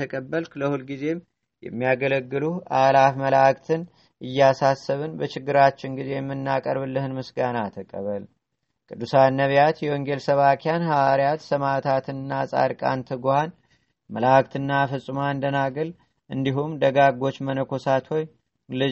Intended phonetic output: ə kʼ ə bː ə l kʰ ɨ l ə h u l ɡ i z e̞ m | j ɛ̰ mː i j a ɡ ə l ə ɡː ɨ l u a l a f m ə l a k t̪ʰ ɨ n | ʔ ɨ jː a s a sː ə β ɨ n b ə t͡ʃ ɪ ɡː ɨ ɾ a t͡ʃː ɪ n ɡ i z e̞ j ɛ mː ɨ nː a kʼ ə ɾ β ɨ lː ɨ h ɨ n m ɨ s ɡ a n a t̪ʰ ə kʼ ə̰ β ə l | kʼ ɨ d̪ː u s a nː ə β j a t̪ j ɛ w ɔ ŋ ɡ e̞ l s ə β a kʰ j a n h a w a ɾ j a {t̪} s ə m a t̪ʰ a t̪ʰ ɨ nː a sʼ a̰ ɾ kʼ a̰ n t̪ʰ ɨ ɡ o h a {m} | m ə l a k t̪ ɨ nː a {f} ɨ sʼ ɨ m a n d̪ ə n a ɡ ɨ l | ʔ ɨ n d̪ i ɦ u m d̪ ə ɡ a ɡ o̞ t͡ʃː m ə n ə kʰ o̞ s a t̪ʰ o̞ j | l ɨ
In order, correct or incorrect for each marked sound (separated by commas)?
correct, incorrect, correct